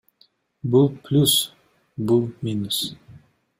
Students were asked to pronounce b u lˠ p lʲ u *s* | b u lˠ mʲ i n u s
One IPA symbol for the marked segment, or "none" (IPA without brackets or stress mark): s